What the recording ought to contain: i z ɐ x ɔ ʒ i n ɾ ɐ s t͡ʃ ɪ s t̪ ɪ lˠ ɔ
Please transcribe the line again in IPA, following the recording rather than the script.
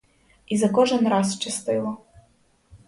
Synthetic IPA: i z ɐ k ɔ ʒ ɛ n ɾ ɑ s t͡ʃ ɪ s t̪ ɪ lˠ ɔ